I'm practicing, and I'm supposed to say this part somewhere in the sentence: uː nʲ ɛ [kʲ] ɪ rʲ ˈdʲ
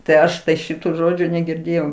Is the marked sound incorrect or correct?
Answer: incorrect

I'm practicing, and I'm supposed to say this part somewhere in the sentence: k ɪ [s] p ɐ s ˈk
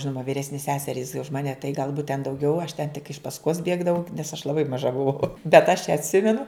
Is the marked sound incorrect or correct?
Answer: incorrect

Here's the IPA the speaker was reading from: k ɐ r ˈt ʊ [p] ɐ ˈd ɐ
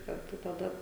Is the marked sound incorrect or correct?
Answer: incorrect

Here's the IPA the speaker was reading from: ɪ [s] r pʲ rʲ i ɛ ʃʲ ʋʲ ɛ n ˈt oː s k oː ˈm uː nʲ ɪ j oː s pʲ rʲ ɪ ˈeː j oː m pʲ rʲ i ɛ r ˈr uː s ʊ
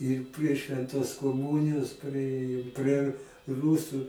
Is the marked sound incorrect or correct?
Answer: incorrect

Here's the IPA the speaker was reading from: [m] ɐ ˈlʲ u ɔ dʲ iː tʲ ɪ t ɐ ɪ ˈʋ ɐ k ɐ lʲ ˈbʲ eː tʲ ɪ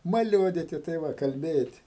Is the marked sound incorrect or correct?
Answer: correct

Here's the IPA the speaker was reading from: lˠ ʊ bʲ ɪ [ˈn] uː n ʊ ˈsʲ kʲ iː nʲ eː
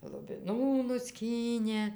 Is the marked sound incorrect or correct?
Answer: correct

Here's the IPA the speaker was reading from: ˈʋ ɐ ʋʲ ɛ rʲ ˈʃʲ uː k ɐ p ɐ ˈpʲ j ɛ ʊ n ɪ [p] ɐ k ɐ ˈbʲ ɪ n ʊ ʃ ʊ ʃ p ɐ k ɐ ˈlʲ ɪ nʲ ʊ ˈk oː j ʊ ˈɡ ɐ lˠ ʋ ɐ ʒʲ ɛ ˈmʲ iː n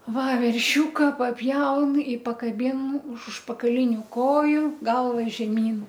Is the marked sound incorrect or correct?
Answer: correct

